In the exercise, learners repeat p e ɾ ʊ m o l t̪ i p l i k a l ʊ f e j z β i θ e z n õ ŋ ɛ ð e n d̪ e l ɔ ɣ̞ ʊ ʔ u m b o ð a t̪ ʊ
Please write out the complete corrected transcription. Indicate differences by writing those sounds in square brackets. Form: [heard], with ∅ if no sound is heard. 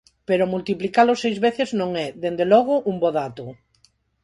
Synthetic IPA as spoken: p e ɾ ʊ m [u] l t̪ i p l i k a l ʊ [s] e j z β [e] θ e z n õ ŋ ɛ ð e n d̪ e l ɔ ɣ̞ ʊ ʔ u m b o ð a t̪ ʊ